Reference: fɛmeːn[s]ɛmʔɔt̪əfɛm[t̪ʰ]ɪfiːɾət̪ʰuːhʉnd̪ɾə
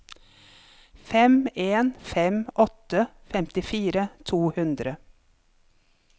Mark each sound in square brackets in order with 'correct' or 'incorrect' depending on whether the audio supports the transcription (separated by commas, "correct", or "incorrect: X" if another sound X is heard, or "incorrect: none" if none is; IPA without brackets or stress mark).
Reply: incorrect: f, incorrect: t̪